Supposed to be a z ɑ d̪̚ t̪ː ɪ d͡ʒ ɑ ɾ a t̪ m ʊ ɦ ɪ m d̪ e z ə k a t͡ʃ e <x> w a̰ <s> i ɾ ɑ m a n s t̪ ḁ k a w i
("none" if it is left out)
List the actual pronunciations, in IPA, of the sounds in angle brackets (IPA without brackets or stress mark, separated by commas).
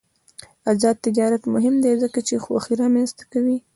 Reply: x, x